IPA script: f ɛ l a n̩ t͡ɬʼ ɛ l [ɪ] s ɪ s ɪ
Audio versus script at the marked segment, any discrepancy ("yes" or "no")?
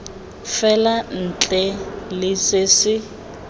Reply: no